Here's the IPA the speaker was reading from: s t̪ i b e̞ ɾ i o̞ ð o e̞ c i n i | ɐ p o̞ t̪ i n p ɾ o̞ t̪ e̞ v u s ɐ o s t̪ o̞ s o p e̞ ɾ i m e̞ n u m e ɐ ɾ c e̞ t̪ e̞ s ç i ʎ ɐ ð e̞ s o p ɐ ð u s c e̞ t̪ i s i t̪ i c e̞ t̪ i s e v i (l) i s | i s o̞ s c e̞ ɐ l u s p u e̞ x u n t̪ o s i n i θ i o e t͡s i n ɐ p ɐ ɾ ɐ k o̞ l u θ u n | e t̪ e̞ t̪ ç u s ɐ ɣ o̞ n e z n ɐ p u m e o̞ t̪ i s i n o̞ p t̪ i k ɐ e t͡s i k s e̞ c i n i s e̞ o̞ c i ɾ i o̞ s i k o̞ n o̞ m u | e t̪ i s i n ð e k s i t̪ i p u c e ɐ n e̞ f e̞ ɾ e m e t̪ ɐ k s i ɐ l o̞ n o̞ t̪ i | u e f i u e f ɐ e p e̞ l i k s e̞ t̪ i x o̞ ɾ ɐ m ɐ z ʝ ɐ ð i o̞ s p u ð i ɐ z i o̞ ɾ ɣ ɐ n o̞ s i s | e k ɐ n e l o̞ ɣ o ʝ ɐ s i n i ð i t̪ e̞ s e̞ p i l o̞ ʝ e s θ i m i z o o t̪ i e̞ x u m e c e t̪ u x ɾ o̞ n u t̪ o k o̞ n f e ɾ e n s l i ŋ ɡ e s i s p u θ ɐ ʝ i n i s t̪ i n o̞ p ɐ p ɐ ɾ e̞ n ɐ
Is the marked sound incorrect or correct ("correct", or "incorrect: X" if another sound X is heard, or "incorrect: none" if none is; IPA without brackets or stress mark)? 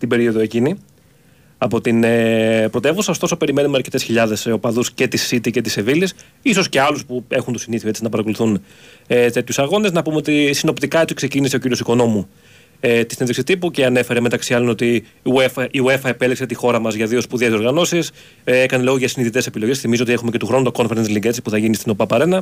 correct